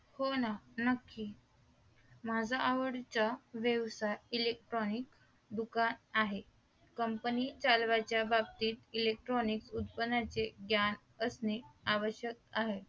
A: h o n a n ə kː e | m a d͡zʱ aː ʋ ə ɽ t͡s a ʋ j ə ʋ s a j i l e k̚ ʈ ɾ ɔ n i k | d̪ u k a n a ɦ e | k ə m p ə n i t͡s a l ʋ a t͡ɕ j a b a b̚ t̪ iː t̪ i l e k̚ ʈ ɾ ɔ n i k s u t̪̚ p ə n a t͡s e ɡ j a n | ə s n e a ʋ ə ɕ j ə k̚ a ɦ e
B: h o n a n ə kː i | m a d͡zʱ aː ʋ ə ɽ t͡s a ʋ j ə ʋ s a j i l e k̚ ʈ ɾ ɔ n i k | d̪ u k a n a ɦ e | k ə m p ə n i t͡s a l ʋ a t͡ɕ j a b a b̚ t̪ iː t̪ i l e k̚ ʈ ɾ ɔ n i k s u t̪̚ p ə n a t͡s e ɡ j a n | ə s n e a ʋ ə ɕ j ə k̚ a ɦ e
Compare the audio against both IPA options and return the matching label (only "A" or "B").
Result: B